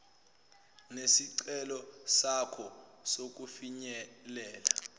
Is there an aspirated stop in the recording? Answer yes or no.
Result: yes